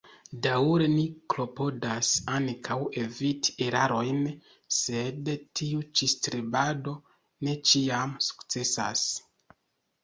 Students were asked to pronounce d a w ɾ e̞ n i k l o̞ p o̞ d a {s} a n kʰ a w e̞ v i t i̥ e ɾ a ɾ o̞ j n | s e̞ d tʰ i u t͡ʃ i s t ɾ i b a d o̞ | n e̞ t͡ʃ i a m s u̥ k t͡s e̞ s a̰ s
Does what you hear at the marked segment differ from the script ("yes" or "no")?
no